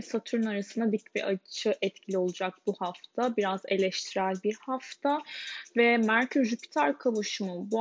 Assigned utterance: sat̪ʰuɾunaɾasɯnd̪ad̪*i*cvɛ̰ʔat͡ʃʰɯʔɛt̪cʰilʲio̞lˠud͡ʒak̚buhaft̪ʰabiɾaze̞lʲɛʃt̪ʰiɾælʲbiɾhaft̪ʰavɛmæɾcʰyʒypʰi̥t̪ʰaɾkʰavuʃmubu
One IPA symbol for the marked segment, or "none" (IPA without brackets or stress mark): i